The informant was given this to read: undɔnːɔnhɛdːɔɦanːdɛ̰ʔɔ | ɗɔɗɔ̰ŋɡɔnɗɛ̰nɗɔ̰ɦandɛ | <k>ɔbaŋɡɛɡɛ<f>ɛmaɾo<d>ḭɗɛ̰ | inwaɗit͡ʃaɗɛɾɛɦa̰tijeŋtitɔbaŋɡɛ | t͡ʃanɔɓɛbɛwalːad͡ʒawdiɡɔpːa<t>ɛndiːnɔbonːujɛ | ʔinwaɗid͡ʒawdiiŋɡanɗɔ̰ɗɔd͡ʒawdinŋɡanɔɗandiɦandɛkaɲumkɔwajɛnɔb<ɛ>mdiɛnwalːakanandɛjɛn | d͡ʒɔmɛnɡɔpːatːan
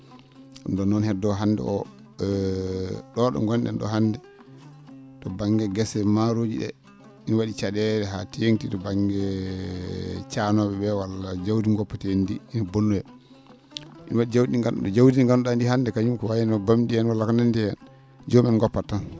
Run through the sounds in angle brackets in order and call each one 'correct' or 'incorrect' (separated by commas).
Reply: incorrect, incorrect, incorrect, correct, incorrect